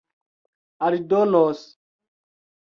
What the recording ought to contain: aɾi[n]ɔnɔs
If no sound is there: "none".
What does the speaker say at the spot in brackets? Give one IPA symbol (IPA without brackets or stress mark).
d